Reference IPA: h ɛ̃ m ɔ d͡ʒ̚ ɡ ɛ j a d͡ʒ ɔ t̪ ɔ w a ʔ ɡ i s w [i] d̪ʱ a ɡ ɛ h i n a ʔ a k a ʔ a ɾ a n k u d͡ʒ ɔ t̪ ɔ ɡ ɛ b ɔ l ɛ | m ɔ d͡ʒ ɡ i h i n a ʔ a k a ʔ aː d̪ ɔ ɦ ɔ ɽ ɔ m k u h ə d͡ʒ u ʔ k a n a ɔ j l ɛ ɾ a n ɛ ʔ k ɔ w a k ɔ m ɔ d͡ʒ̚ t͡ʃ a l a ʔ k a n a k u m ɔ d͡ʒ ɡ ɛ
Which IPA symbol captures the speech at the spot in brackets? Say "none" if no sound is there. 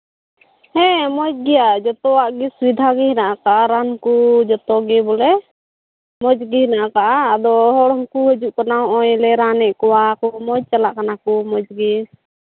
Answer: i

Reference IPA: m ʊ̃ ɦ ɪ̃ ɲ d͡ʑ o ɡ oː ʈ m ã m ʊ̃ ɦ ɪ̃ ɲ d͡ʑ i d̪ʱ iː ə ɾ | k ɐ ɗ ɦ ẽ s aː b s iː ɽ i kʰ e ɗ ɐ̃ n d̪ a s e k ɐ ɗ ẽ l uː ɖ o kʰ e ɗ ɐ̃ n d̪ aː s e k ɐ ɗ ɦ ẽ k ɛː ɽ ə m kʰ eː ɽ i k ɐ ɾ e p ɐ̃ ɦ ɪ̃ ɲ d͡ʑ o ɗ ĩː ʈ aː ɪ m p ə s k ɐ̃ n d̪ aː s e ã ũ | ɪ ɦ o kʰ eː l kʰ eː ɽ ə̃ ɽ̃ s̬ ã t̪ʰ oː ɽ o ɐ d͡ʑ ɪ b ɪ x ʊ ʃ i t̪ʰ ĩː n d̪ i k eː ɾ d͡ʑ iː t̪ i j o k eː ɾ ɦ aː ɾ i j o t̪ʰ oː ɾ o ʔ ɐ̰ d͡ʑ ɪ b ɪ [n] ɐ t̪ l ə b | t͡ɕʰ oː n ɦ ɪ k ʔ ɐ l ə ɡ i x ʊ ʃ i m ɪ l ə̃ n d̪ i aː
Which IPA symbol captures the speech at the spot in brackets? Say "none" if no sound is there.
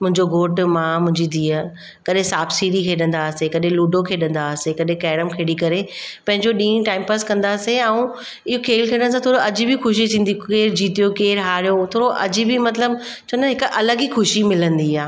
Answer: m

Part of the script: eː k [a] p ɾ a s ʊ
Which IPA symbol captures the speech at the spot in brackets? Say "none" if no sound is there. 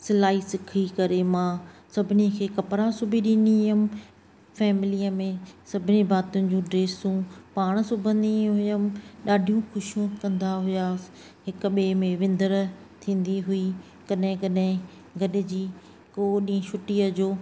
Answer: ɐ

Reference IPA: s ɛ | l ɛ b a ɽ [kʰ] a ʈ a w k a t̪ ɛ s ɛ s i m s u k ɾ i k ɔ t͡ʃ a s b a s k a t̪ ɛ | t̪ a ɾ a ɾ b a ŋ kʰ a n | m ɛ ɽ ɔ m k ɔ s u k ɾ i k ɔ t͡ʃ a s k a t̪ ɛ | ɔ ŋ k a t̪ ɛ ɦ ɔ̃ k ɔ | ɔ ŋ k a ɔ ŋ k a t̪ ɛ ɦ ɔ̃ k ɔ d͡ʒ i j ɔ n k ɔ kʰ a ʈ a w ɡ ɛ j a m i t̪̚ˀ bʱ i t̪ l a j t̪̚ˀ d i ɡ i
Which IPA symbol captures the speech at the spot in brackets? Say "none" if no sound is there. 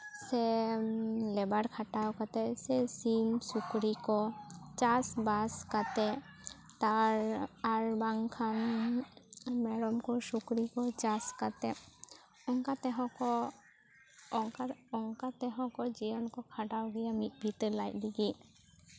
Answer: kʰ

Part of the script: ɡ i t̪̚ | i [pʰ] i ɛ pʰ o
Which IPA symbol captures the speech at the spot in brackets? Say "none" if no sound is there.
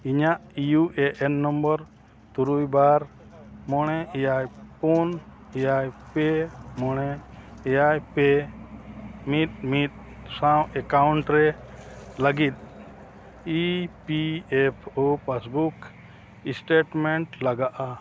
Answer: p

